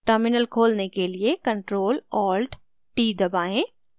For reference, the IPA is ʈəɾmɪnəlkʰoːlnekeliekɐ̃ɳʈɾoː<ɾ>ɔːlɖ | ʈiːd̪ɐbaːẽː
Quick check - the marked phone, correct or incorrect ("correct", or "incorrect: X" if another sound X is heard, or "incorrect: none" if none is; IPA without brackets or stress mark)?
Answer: incorrect: l